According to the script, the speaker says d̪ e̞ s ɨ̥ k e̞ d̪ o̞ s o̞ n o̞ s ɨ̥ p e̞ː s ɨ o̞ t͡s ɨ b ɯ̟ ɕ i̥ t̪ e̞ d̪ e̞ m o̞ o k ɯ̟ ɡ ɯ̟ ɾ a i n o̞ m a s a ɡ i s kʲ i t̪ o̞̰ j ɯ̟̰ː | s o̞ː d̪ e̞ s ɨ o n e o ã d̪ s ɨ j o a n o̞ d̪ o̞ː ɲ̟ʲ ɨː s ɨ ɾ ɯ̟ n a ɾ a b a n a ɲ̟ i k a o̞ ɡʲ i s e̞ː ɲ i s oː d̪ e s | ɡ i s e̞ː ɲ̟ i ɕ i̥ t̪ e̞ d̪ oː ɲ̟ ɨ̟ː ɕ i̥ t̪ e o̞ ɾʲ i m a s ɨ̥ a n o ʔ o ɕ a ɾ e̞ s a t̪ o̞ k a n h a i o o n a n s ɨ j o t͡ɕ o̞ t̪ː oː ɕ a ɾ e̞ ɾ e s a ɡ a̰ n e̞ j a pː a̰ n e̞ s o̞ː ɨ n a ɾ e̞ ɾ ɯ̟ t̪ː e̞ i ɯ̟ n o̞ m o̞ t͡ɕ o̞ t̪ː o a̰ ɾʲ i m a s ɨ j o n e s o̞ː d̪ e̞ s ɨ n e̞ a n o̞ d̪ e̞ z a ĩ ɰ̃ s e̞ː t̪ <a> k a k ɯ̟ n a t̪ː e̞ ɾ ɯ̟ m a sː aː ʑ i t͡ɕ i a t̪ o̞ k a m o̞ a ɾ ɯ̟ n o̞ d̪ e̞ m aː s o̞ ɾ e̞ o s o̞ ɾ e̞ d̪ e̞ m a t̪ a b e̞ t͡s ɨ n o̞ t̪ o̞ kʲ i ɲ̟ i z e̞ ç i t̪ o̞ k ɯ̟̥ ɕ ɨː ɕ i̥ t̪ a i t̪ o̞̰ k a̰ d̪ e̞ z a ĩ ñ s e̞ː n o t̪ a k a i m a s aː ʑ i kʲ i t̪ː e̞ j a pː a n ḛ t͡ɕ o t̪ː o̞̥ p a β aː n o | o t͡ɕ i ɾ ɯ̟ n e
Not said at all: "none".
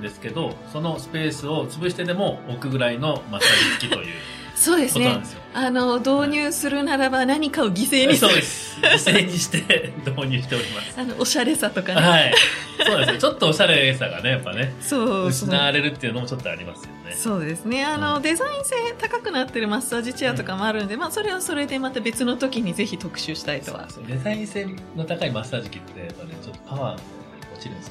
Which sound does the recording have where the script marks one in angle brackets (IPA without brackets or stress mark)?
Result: a